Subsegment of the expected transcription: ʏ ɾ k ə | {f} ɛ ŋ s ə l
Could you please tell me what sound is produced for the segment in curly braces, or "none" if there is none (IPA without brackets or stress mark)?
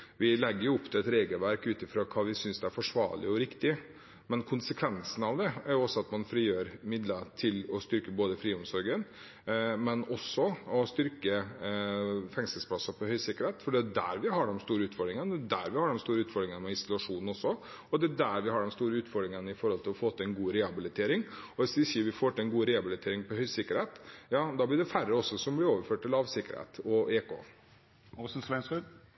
f